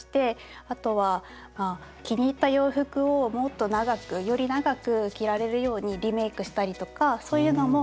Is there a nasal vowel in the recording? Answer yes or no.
no